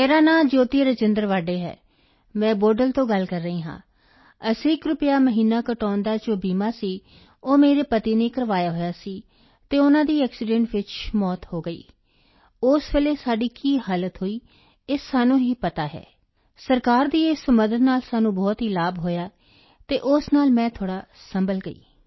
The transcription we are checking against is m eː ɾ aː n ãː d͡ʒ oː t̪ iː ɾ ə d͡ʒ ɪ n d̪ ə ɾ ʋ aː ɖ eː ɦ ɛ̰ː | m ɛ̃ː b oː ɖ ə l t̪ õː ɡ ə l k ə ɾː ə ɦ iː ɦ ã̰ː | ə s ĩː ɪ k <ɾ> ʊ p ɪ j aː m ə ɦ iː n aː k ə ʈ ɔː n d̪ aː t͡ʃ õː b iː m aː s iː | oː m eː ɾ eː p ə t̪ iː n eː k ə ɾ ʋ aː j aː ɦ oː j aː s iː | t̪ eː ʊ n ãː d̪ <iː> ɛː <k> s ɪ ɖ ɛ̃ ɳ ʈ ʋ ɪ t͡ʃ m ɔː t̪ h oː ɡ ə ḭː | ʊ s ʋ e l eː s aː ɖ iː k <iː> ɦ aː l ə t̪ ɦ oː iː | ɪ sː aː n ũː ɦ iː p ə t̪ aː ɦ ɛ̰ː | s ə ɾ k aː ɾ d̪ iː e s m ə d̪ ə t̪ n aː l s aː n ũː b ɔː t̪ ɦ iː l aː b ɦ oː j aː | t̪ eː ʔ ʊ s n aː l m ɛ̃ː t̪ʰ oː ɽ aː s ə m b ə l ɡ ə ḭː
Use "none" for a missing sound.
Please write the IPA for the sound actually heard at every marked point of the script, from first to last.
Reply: ɾ, iː, k, iː

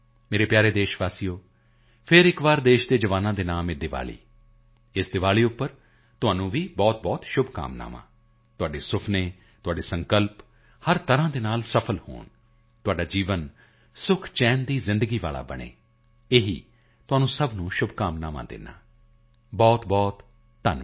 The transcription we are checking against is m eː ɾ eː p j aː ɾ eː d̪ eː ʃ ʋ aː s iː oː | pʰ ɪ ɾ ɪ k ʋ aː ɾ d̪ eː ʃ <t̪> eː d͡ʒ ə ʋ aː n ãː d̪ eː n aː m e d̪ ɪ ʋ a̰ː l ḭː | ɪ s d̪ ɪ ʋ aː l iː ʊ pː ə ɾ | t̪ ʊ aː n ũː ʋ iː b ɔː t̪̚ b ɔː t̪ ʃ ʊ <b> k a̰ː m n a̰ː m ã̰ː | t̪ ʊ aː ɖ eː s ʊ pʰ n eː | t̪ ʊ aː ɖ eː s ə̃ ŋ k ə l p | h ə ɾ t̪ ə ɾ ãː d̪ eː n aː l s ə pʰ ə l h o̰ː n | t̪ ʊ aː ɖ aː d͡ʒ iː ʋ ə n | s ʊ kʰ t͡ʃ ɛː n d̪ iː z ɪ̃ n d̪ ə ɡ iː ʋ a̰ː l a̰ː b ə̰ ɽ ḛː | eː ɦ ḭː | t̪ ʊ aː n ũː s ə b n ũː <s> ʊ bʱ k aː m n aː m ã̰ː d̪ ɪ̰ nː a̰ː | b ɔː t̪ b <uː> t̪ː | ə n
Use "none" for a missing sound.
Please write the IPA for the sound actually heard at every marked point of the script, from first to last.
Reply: d̪, b, ʃ, ɔː

